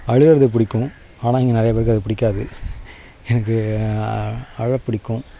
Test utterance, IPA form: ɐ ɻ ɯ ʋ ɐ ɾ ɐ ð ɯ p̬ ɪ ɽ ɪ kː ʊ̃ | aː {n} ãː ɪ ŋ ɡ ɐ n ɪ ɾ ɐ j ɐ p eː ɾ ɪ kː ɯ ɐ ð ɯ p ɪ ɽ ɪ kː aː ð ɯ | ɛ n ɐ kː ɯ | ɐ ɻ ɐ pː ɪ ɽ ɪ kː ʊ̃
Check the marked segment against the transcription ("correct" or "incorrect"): correct